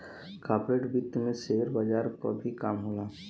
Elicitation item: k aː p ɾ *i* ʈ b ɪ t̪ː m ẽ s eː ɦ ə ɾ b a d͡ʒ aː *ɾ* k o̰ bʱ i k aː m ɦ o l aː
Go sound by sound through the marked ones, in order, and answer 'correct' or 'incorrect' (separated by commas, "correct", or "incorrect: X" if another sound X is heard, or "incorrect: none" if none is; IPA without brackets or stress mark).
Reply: incorrect: e, correct